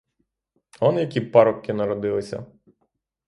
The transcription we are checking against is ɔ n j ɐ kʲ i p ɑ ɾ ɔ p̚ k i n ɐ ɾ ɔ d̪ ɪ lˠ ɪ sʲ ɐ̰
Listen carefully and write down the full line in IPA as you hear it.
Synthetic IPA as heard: ɔ n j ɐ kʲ i p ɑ ɾ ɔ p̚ k ɪ n ɐ ɾ ɔ d̪ ɪ lˠ ɪ sʲ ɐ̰